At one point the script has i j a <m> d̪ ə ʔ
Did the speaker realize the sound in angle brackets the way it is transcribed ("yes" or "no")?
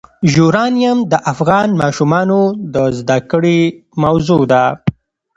yes